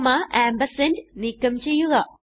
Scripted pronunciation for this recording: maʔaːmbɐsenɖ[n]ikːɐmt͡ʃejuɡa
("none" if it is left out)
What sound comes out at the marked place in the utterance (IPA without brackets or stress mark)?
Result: n